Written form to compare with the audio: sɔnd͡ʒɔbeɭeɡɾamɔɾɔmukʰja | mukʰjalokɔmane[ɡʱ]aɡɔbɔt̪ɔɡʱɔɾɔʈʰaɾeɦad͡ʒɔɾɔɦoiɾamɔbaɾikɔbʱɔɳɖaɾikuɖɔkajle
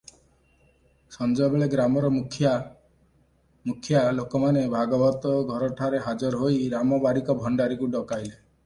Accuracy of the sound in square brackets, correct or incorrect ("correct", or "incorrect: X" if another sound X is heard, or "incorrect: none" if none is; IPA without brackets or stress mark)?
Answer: incorrect: bʱ